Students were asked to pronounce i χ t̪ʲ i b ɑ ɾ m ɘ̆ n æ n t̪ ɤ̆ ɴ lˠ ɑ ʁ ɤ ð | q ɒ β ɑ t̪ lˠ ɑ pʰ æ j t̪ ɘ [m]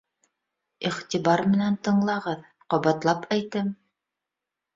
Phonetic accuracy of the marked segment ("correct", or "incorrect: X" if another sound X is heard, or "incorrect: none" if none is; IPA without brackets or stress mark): correct